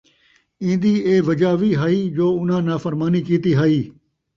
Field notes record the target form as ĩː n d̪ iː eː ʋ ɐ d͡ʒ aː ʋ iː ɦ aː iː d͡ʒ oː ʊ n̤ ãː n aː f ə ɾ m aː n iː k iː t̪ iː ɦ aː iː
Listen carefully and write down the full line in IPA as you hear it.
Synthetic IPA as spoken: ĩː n d̪ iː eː ʋ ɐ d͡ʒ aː ʋ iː ɦ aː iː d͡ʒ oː ʊ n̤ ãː n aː f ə ɾ m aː n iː k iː t̪ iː ɦ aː iː